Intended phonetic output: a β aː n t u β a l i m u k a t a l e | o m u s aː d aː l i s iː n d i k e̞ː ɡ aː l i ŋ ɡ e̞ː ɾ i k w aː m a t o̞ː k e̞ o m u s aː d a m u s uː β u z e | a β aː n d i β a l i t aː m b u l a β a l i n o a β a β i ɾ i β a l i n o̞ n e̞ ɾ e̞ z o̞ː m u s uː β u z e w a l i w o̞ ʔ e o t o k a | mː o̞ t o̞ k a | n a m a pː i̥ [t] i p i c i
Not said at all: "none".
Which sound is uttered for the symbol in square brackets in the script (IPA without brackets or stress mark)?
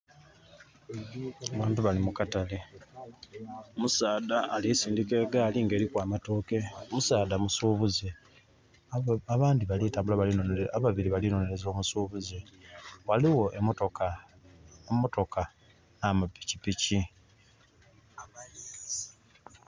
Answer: c